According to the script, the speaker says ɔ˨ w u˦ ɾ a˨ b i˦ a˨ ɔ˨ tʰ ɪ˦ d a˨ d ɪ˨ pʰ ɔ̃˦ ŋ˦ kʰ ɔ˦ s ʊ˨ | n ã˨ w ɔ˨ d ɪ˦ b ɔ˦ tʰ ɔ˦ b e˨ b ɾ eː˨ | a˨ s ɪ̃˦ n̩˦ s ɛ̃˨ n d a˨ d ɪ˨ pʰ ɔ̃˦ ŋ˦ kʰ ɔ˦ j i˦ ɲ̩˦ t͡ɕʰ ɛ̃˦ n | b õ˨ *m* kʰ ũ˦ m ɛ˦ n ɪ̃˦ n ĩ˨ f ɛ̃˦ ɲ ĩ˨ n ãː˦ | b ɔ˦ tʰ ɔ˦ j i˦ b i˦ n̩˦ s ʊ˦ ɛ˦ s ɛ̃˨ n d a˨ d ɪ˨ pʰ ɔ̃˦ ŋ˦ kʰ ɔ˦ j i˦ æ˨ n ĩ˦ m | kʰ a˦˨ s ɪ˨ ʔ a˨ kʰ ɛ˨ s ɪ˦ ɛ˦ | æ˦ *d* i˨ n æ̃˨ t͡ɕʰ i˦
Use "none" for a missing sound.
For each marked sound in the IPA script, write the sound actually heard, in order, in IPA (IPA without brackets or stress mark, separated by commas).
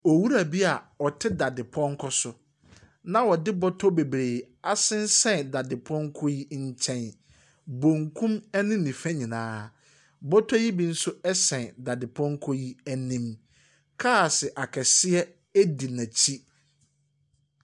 ŋ, d